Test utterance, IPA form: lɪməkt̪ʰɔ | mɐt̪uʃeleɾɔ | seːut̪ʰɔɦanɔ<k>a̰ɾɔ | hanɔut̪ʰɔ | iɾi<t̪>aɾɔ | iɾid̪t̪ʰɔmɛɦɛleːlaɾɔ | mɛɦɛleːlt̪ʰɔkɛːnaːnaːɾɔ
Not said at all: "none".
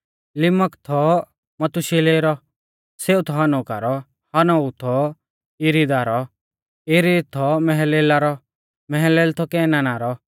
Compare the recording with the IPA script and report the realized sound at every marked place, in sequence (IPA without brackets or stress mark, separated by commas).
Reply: k, d̪